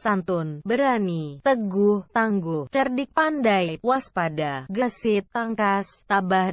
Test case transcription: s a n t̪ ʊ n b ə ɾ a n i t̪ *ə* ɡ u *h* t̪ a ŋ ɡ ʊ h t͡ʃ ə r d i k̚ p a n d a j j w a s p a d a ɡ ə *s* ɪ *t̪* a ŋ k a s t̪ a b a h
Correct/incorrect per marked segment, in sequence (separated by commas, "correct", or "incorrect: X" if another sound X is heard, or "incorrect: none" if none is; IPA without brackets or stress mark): correct, correct, correct, correct